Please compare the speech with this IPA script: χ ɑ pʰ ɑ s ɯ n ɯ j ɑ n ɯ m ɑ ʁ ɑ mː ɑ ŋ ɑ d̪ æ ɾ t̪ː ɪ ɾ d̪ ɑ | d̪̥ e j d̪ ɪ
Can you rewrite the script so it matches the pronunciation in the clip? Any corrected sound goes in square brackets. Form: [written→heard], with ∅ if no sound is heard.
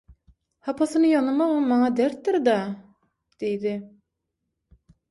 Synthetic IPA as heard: [χ→h] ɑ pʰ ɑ s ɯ n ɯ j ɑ n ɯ m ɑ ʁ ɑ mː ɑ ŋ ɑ d̪ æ ɾ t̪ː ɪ ɾ d̪ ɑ | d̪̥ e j d̪ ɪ